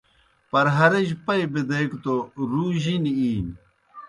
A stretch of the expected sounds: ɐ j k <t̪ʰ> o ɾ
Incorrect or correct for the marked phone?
incorrect: t̪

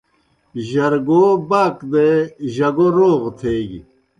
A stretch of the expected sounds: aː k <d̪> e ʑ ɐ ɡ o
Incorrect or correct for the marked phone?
correct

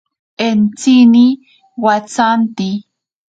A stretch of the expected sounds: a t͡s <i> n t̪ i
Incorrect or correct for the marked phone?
incorrect: a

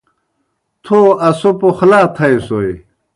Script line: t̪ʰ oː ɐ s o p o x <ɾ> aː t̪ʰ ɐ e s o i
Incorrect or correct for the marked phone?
incorrect: l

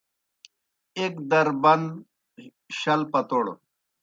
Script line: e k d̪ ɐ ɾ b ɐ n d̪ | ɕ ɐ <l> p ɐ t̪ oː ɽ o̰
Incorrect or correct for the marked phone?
correct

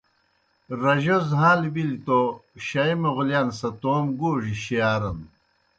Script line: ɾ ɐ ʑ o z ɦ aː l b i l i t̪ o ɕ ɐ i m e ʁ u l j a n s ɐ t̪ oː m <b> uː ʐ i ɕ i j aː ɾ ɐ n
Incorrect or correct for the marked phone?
incorrect: ɡ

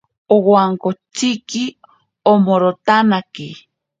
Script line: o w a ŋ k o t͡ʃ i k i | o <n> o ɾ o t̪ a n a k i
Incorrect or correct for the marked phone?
incorrect: m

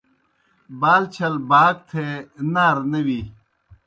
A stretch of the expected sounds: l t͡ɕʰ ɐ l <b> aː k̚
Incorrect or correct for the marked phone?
correct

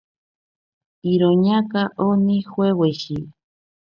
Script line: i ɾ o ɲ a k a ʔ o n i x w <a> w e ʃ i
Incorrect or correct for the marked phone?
incorrect: e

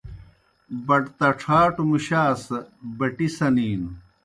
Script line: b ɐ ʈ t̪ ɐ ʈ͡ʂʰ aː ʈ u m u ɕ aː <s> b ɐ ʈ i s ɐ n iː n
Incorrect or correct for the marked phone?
correct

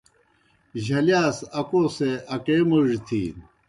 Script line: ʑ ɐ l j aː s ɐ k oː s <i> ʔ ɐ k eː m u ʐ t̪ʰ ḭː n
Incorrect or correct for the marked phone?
incorrect: e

